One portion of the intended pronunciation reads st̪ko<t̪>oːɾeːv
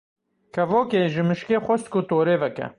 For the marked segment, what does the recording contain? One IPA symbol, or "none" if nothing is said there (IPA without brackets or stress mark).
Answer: t̪